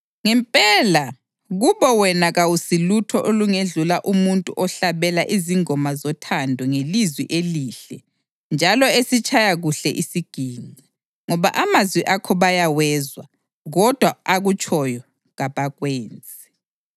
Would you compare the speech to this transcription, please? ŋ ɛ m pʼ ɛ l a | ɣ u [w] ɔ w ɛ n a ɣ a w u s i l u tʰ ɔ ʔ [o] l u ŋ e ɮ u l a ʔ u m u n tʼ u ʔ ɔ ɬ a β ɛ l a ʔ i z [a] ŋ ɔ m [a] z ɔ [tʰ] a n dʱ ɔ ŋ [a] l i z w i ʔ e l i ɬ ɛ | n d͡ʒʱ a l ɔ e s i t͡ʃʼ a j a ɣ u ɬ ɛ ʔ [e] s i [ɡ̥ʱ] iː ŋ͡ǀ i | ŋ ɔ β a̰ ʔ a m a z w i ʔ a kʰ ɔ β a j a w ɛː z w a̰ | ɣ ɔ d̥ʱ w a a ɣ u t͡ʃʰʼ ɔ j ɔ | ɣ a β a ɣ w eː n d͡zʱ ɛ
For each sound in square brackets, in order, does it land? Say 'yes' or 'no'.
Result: no, yes, no, yes, yes, no, no, yes

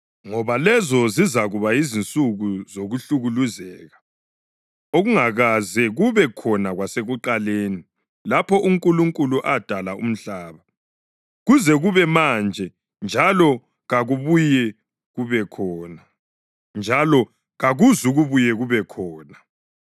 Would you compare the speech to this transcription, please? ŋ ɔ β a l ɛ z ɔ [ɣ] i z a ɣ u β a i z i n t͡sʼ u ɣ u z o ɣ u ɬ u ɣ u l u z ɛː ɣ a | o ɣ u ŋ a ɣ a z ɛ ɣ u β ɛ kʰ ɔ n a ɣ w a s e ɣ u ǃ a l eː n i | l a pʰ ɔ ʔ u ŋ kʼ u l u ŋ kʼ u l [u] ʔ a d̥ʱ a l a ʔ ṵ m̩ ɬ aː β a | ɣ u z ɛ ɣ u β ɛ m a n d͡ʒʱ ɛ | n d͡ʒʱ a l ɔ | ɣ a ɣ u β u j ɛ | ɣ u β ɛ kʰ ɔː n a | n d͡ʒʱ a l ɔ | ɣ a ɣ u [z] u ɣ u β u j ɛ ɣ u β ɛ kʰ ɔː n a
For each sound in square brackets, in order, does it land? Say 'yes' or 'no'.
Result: no, yes, yes

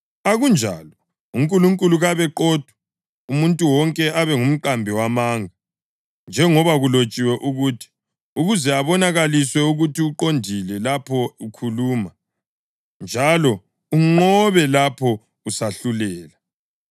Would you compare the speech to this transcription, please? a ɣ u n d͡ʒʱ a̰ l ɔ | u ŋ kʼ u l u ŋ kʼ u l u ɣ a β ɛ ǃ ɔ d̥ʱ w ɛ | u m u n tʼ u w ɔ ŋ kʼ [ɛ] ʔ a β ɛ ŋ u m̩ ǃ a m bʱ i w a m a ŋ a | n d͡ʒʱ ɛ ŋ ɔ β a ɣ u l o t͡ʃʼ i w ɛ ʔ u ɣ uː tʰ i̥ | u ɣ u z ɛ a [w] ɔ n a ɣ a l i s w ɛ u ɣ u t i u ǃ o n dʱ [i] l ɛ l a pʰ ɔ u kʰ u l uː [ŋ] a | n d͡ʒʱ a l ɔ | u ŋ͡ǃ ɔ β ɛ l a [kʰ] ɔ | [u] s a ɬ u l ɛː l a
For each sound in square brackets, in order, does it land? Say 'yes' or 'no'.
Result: yes, no, yes, no, no, yes

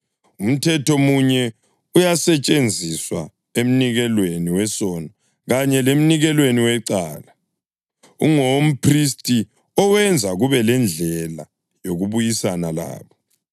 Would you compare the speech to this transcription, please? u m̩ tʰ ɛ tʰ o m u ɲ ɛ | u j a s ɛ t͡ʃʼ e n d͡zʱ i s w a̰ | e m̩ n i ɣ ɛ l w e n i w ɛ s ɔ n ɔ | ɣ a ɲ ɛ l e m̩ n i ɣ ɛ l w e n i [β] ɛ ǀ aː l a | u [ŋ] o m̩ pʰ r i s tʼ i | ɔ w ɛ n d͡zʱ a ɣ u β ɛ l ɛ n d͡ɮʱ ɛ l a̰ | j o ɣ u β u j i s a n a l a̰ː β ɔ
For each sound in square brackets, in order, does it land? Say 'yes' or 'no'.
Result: no, yes

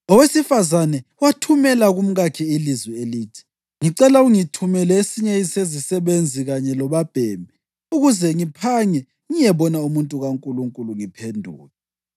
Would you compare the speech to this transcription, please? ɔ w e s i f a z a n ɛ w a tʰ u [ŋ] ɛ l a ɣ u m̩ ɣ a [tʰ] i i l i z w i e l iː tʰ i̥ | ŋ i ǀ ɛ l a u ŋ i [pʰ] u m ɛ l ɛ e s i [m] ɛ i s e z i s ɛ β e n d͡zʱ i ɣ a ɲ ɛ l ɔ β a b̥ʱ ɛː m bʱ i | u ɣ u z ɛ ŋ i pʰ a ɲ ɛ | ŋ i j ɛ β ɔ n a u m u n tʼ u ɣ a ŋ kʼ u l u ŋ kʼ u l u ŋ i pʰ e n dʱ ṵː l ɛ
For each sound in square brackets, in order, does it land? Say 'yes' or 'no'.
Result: no, no, no, no

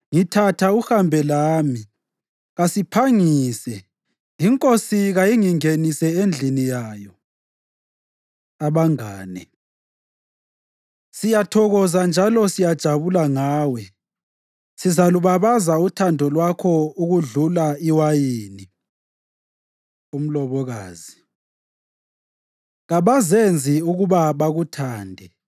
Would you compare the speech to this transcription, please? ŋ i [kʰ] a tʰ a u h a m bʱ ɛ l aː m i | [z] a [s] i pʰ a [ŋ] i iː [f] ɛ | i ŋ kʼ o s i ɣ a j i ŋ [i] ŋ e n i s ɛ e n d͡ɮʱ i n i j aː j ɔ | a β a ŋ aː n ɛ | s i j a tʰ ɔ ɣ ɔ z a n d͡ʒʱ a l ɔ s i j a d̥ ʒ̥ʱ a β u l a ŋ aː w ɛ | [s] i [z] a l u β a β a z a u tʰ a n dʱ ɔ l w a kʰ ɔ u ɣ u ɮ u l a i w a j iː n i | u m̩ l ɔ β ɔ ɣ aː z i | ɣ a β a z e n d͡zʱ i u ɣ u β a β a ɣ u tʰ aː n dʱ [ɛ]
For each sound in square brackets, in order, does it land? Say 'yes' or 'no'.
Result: no, no, yes, yes, no, yes, yes, yes, yes

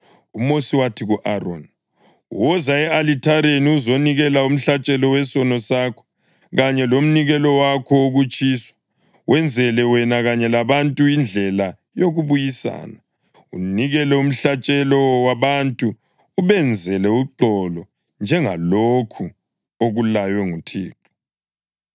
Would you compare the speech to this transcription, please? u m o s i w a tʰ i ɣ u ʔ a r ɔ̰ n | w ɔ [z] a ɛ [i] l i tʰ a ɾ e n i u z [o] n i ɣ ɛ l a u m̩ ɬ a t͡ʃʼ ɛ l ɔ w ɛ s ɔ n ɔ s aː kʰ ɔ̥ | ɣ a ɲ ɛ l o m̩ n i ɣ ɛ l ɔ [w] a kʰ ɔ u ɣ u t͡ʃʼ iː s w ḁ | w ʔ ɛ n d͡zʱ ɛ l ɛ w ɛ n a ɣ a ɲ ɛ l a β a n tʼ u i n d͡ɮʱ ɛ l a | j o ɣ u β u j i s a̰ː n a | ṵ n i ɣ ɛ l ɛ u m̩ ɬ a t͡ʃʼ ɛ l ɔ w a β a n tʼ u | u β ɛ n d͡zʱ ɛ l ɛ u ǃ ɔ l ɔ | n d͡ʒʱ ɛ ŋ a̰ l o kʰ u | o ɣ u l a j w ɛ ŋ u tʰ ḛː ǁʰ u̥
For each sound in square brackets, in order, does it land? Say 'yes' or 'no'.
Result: yes, no, yes, yes

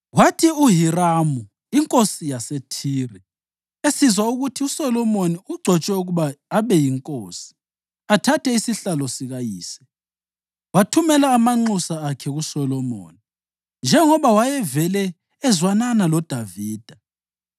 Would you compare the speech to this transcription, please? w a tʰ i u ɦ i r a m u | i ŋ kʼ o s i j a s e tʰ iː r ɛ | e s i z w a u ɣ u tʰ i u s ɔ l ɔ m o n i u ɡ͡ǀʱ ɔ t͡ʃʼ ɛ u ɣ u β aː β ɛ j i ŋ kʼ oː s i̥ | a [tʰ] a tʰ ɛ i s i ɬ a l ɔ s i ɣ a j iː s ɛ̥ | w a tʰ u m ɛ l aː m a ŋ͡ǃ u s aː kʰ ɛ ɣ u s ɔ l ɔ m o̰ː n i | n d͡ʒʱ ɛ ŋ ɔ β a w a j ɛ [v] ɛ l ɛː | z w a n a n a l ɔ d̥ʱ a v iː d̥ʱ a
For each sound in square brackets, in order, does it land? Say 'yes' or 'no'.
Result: yes, yes

